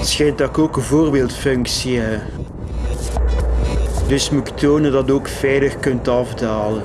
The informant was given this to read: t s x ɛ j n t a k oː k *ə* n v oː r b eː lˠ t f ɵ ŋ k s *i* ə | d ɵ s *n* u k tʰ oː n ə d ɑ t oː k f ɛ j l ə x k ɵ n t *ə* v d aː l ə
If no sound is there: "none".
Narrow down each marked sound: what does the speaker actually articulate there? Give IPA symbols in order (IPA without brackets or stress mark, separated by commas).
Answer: ə, i, m, ɑ